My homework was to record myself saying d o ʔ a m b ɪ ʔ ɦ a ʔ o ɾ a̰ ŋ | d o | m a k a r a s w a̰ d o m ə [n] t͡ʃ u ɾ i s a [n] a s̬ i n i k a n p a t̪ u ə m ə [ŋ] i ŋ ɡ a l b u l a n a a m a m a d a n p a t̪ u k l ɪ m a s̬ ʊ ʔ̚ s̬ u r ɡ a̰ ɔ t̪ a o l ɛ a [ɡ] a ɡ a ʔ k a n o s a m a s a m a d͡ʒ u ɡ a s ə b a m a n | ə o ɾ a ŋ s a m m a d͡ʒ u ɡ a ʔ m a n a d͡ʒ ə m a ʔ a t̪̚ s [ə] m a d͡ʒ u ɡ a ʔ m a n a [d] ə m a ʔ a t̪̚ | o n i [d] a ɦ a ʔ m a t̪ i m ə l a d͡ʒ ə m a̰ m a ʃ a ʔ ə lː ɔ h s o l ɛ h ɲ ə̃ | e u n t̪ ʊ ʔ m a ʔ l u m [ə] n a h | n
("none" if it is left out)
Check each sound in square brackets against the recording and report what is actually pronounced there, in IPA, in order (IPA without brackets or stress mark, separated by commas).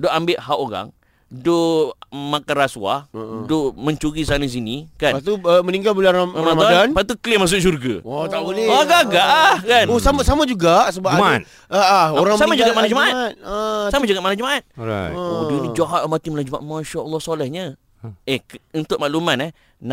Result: ɲ, n, n, ɡ, a, d͡ʒ, d͡ʒ, a